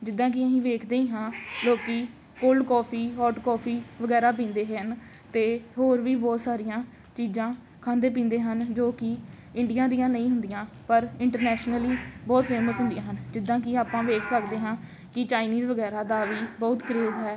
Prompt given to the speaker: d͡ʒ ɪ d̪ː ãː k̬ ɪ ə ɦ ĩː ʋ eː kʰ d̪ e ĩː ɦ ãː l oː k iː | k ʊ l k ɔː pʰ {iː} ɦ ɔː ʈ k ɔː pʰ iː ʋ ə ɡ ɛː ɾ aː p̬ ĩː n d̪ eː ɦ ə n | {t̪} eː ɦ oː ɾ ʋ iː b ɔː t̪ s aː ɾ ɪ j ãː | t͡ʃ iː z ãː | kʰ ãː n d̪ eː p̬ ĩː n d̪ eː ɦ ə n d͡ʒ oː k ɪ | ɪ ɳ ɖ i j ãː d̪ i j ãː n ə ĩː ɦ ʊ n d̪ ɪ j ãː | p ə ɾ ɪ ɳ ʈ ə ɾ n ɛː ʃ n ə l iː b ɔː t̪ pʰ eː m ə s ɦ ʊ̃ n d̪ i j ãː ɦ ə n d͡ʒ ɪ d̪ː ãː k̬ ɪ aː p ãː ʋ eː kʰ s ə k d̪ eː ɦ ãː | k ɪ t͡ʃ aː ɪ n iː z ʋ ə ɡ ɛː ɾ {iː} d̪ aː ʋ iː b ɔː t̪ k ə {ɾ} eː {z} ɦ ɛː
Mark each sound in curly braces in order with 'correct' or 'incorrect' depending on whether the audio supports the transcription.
correct, correct, incorrect, correct, correct

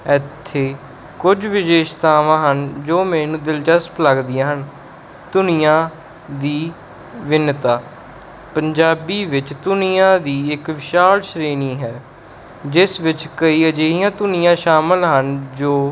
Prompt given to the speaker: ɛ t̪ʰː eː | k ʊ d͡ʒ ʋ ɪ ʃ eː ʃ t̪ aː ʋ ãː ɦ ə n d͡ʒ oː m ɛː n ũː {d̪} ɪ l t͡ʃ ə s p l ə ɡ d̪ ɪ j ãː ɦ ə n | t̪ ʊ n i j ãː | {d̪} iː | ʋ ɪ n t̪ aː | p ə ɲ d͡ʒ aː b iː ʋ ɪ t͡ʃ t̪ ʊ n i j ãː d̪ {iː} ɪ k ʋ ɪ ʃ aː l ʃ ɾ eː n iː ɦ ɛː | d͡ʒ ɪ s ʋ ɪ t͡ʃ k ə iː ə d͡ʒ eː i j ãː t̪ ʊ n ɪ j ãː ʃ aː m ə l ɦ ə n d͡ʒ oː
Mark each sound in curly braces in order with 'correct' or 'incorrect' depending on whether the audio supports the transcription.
correct, correct, correct

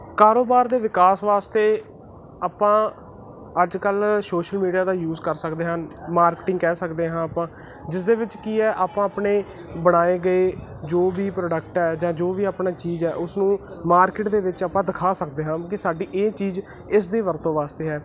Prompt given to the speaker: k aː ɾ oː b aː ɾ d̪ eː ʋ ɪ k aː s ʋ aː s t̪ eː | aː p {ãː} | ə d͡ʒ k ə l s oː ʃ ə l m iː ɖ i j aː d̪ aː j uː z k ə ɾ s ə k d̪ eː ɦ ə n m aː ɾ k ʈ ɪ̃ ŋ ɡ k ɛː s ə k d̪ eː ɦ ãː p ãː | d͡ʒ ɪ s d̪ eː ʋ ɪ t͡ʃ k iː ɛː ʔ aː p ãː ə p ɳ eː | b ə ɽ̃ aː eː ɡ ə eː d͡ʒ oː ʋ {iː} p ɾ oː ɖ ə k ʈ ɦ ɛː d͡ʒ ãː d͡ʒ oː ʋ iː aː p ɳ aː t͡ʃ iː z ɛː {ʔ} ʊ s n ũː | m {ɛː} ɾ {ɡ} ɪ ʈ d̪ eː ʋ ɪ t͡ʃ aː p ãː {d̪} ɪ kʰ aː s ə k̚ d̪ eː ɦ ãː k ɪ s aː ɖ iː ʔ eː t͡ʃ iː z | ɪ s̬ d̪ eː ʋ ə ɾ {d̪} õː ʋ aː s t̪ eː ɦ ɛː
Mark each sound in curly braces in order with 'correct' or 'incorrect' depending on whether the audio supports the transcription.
correct, correct, correct, incorrect, incorrect, correct, incorrect

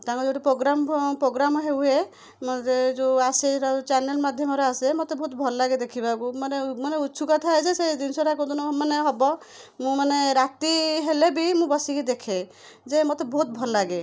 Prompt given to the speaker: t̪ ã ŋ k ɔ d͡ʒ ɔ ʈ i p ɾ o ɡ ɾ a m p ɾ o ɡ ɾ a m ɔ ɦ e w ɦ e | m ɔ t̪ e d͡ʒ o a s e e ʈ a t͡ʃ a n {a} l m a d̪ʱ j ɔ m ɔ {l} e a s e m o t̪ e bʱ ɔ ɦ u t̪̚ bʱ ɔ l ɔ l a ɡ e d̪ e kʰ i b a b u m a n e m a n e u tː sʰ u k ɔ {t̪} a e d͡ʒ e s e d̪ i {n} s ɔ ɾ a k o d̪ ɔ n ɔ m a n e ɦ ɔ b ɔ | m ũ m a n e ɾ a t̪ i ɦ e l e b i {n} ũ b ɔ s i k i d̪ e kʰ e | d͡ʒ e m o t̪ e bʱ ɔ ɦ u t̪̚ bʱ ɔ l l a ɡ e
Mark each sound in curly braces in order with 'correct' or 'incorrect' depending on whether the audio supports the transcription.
incorrect, incorrect, incorrect, correct, incorrect

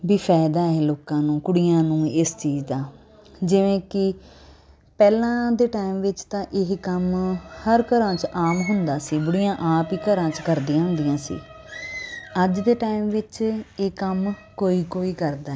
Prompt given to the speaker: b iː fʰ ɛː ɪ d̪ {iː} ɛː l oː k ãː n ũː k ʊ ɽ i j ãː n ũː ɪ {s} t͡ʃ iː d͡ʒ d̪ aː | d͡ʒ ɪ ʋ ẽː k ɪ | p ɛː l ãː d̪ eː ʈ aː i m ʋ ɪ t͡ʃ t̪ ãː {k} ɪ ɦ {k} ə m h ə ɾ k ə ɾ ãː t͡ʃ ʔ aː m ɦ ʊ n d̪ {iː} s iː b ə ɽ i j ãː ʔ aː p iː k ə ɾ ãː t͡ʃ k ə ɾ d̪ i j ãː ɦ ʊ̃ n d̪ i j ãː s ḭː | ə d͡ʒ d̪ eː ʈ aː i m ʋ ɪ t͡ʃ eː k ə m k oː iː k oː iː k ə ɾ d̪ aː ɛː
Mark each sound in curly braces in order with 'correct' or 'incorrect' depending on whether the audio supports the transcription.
incorrect, correct, incorrect, correct, incorrect

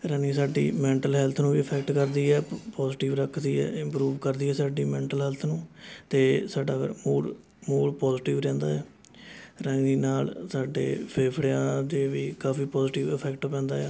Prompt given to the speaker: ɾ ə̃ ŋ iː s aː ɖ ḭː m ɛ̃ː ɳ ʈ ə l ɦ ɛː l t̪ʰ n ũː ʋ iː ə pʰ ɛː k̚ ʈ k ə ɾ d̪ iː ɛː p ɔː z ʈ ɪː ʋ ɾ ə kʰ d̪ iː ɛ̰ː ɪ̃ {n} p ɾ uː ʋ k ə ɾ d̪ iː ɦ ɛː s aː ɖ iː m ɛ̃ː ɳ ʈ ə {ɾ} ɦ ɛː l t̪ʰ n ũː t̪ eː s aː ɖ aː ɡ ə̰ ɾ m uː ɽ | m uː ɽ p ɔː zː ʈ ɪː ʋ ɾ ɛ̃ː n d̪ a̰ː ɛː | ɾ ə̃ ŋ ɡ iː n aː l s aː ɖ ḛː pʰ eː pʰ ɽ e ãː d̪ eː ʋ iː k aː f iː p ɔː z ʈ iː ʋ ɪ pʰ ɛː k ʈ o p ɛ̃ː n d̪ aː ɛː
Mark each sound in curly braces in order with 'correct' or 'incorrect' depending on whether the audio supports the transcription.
incorrect, incorrect

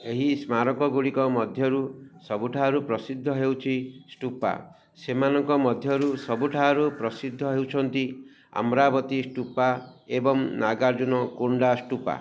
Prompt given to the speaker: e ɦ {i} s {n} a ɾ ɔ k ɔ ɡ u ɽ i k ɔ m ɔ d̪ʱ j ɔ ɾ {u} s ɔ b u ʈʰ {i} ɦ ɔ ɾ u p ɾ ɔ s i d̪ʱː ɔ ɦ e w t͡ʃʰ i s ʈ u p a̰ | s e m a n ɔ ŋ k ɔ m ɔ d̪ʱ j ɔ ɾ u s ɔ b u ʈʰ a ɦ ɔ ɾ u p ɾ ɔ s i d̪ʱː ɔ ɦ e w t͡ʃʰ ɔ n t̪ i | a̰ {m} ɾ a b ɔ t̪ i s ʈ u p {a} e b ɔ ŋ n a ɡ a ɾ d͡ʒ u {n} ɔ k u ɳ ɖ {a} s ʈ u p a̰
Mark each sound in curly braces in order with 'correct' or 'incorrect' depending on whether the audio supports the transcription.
correct, incorrect, correct, incorrect, correct, correct, correct, correct

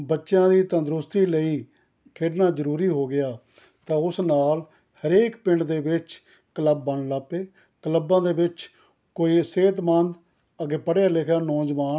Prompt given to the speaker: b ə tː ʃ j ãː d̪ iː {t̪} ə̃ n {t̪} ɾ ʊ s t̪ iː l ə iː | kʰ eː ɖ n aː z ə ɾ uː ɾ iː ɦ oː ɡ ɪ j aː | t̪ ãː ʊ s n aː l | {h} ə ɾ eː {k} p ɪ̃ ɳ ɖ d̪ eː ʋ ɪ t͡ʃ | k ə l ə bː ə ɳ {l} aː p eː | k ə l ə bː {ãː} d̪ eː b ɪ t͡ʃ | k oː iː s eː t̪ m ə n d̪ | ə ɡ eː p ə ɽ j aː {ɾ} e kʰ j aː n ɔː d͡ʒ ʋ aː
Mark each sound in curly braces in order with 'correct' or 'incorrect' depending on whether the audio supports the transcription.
correct, incorrect, correct, correct, correct, correct, incorrect

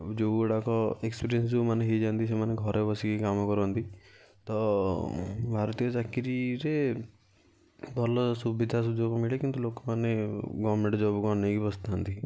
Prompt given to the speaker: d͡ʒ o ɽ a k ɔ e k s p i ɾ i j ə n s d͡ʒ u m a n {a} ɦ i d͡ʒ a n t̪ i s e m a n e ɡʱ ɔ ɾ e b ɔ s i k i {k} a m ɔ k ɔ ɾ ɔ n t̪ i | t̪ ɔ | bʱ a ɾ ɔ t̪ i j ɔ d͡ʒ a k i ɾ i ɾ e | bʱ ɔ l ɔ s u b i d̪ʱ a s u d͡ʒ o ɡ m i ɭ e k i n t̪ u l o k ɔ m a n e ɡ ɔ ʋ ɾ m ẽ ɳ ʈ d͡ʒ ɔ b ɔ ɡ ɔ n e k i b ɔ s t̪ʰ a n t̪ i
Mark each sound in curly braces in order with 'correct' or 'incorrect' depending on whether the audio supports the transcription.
incorrect, correct

